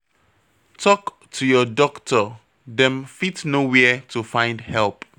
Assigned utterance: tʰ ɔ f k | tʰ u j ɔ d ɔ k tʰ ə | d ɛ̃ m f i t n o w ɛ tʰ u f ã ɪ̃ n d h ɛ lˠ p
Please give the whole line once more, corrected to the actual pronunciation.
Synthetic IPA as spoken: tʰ ɔ k | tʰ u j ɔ d ɔ k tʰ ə | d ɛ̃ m f i t n o w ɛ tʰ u f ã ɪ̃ n d h ɛ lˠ p